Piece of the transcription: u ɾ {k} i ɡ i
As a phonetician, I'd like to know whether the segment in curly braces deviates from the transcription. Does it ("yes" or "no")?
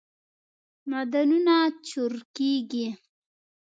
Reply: no